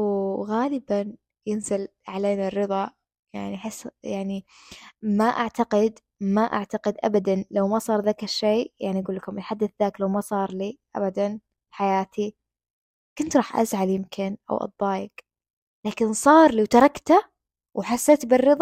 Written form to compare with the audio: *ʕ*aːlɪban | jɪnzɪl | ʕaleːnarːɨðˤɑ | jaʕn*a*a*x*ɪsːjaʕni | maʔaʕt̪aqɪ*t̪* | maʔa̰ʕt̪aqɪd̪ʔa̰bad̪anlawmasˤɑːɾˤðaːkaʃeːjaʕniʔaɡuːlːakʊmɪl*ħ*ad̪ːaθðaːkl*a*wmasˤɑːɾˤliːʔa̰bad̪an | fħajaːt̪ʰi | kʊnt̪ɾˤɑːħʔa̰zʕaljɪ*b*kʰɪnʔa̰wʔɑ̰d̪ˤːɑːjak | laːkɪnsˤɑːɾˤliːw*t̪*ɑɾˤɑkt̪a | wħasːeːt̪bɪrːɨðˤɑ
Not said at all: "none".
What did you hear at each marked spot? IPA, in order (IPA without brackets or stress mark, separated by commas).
ɣ, i, ħ, d̪, ħ, a, m, t̪